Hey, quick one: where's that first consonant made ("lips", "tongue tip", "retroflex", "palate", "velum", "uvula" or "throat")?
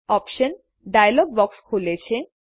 lips